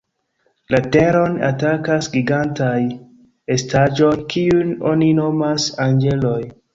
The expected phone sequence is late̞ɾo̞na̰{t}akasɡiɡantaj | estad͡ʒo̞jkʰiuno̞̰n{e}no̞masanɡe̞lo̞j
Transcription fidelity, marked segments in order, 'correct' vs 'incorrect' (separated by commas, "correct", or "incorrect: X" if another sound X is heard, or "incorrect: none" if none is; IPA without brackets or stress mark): correct, incorrect: i